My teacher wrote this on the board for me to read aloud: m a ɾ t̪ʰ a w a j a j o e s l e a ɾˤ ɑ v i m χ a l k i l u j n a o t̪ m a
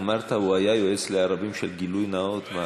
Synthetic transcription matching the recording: m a ɾ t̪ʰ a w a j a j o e s l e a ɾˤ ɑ b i m ʃ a l ɡ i l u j n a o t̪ m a